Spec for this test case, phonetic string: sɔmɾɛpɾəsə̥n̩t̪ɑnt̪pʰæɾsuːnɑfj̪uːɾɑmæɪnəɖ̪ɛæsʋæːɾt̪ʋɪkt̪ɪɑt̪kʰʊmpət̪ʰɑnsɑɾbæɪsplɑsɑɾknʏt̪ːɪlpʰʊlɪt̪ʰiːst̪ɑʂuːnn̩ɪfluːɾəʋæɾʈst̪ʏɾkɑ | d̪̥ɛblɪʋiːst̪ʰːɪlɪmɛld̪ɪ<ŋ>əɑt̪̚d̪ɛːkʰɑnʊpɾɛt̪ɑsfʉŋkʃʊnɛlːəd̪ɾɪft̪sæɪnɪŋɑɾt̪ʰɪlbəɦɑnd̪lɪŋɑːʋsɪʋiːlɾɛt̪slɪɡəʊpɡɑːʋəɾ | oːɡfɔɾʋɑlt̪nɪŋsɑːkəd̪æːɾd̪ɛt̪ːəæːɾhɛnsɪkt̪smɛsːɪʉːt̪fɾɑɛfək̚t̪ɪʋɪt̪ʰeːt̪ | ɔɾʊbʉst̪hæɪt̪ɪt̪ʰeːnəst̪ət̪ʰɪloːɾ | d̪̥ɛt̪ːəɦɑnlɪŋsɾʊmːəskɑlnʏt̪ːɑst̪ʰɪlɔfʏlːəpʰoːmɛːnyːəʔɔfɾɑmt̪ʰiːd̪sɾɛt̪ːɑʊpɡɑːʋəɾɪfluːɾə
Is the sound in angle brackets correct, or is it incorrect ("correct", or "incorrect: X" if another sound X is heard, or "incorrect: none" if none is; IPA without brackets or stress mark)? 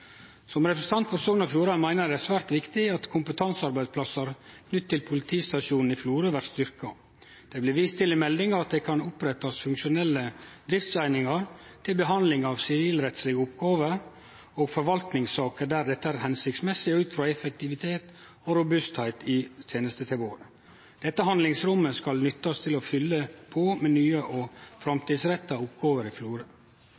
correct